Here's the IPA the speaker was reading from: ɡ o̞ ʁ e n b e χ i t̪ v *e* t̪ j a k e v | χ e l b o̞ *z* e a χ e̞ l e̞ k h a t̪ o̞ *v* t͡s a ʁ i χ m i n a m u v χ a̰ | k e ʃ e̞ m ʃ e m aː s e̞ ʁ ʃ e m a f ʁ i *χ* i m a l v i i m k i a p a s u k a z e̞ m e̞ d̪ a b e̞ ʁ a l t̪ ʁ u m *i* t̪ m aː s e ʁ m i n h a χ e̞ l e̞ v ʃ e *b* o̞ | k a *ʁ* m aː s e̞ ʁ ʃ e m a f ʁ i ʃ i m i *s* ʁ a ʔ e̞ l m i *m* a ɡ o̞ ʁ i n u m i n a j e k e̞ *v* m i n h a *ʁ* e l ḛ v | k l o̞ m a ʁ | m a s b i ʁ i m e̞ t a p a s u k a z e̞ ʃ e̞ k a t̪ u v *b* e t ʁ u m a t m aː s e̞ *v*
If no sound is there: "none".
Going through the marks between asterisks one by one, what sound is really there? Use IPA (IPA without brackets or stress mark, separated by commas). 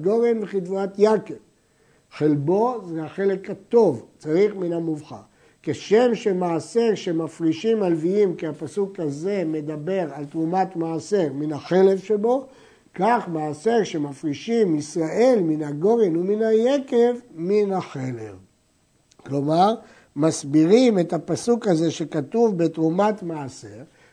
a, z, v, ʃ, a, b, χ, s, n, v, χ, b, ʁ